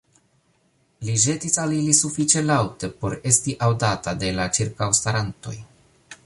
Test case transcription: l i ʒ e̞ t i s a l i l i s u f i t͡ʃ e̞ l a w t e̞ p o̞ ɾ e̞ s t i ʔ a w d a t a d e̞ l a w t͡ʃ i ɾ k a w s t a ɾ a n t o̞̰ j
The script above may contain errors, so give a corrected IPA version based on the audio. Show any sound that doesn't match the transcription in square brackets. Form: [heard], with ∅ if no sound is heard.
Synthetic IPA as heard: l i ʒ e̞ t i s a l i l i s u f i t͡ʃ e̞ l a w t e̞ p o̞ ɾ e̞ s t i ʔ a w d a t a d e̞ l a [∅] t͡ʃ i ɾ k a w s t a ɾ a n t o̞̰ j

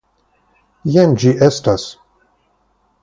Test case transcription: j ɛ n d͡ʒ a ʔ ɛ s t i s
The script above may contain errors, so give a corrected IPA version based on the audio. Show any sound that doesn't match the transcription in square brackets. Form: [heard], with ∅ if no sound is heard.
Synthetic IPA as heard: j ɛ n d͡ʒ [i] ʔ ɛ s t [a] s

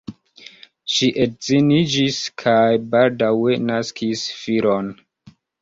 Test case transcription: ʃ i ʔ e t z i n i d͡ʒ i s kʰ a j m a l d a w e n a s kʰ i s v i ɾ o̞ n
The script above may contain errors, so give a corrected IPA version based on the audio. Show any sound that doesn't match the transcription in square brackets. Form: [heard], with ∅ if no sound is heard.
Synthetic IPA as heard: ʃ i ʔ e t z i n i d͡ʒ i s kʰ a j [b] a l d a w e n a s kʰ i s [f] i ɾ o̞ n

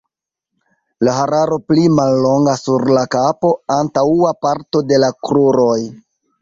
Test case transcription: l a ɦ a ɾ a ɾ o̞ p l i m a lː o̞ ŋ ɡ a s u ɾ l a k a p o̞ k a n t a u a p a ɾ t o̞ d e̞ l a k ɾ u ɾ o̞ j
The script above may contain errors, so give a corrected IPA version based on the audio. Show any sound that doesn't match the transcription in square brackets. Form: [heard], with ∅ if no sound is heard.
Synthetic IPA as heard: l a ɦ a ɾ a ɾ o̞ p l i m a lː o̞ ŋ ɡ a s u ɾ l a k a p o̞ [∅] a n t a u a p a ɾ t o̞ d e̞ l a k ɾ u ɾ o̞ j

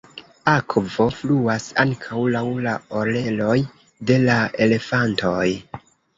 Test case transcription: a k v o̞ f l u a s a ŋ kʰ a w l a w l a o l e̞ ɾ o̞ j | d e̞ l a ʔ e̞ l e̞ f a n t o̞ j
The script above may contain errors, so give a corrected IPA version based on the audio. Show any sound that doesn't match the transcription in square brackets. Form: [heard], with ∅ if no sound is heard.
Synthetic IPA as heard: a k v o̞ f l u a s a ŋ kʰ a w l a w l a o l e̞ [l] o̞ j | d e̞ l a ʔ e̞ l e̞ f a n t o̞ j

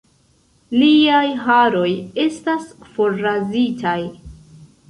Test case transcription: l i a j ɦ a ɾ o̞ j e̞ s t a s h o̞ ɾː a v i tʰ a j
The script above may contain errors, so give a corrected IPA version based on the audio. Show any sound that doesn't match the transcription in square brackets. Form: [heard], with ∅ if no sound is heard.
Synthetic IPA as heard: l i a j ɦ a ɾ o̞ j e̞ s t a s [f] o̞ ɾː a [z] i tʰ a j

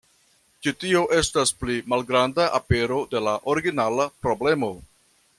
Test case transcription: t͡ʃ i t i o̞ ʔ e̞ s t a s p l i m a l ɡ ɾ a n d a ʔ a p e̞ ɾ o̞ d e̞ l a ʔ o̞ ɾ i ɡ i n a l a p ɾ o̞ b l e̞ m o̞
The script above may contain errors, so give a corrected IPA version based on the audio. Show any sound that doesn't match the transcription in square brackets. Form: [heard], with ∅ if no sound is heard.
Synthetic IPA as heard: t͡ʃ i t i o̞ ʔ e̞ s t a s p l i m a l ɡ ɾ a n d a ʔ a p e̞ ɾ o̞ d e̞ l a ʔ o̞ ɾ i ɡ i n a l a p ɾ o̞ b l e̞ m o̞

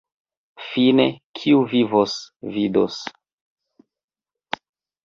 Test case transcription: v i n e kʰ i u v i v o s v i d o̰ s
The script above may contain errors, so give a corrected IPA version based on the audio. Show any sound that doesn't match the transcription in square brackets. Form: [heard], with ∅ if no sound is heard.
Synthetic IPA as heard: [f] i n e kʰ i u v i v o s v i d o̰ s

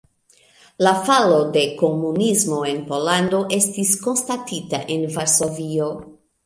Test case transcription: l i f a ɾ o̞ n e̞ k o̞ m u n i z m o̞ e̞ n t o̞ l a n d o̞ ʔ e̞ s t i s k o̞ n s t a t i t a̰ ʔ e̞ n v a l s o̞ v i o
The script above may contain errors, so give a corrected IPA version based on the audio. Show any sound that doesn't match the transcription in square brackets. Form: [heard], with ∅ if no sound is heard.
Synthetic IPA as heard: l [a] f a [l] o̞ [d] e̞ k o̞ m u n i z m o̞ e̞ n [p] o̞ l a n d o̞ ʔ e̞ s t i s k o̞ n s t a t i t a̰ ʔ e̞ n v a [ɾ] s o̞ v i o

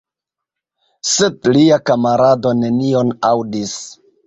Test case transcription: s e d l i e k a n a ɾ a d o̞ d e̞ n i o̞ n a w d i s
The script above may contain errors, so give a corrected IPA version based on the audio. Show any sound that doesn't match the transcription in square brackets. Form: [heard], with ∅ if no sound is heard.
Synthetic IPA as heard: s e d l i [a] k a [m] a ɾ a d o̞ [n] e̞ n i o̞ n a w d i s

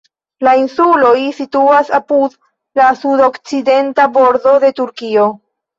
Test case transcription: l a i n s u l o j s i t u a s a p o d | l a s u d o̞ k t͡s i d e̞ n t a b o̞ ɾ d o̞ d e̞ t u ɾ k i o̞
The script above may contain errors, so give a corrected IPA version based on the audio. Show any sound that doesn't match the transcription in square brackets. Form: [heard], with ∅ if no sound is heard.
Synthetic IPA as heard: l a i n s u l o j s i t u a s a p [u] d | l a s u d o̞ k t͡s i d e̞ n t a b o̞ ɾ d o̞ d e̞ t u ɾ k i o̞

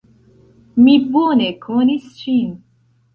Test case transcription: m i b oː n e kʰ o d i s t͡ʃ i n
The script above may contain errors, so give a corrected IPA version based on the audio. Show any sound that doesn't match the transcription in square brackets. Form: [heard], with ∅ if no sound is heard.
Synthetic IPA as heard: m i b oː n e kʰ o [n] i s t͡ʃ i n

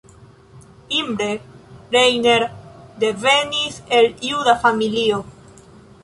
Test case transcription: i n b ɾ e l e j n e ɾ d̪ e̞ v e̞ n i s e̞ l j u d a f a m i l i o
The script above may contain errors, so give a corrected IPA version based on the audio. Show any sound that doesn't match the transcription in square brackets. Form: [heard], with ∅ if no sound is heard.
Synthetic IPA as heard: i [m] b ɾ e [ɾ] e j n e ɾ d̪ e̞ v e̞ n i s e̞ l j u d a f a m i l i o

